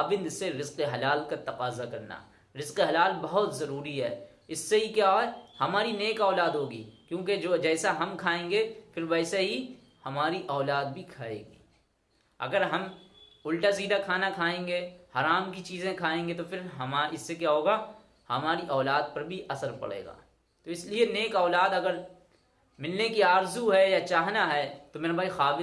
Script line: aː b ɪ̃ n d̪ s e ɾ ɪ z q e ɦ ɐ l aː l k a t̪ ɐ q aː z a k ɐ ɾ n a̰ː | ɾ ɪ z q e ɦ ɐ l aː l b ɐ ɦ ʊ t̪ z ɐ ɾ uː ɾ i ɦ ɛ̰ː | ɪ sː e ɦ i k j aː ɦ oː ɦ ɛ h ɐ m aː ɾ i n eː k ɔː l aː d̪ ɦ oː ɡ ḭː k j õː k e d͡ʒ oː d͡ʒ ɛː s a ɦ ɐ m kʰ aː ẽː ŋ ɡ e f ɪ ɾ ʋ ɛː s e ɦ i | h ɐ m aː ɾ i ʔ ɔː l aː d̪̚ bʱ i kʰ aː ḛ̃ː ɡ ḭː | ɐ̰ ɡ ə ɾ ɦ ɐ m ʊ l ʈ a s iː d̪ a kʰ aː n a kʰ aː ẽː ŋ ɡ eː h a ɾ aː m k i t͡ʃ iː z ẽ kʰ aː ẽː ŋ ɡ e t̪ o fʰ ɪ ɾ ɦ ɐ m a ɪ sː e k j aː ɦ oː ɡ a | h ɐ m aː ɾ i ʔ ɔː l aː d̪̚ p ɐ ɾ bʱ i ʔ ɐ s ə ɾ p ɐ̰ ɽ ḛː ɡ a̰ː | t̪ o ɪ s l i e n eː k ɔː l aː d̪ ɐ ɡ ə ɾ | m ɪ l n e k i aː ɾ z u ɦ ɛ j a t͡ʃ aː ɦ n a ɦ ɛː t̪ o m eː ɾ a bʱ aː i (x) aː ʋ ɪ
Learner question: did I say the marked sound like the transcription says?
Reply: yes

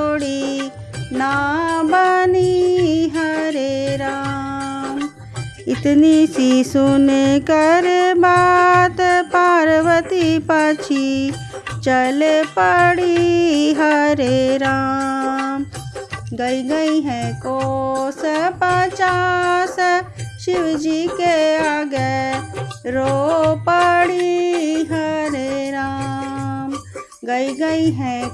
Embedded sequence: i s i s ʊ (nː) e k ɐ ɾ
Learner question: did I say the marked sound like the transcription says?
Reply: no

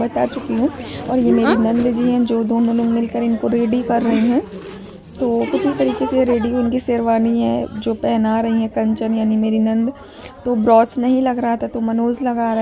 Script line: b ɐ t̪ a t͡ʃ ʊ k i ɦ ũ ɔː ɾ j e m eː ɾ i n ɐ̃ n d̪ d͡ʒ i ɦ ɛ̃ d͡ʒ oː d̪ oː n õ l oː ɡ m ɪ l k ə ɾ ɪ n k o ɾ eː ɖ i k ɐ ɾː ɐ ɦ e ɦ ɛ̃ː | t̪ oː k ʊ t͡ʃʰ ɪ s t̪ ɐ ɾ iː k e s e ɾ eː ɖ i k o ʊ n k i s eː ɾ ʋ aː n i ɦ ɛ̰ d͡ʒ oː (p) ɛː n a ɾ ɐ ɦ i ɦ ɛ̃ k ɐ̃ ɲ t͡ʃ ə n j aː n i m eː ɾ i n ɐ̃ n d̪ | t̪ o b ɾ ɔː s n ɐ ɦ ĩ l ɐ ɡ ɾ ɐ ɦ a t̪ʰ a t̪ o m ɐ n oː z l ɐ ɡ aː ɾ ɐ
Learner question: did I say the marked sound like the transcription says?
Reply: yes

